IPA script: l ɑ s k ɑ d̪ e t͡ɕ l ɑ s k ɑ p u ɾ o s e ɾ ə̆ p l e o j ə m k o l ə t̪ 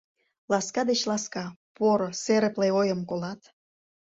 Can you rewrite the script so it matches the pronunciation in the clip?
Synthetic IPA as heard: l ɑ s k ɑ d̪ e t͡ɕ l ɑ s k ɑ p o ɾ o s e ɾ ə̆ p l e o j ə m k o l ɑ t̪